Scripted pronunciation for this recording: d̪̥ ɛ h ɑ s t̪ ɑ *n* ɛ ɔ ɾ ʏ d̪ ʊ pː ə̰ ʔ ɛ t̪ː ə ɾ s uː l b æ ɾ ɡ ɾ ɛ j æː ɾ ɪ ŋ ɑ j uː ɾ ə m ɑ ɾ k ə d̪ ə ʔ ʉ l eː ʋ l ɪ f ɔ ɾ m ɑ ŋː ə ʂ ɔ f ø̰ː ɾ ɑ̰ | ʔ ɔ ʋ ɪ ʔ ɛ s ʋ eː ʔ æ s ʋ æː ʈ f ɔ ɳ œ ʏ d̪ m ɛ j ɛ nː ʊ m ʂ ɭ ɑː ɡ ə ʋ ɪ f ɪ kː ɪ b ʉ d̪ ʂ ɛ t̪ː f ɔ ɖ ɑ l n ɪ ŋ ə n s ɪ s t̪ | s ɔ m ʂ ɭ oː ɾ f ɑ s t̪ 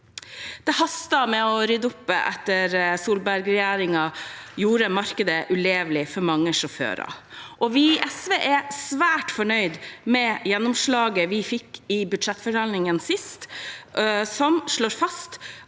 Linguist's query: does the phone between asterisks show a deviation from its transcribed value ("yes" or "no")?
yes